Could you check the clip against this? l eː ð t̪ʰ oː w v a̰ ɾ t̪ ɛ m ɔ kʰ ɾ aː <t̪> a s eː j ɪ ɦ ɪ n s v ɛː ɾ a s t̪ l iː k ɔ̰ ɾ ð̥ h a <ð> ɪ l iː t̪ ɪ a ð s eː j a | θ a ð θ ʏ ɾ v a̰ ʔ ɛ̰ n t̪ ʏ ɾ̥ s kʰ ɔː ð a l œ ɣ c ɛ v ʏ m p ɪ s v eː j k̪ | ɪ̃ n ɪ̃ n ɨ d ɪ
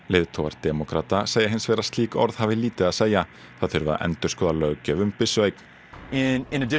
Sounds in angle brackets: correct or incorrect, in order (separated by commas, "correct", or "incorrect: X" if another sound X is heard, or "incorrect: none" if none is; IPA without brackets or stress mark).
correct, incorrect: v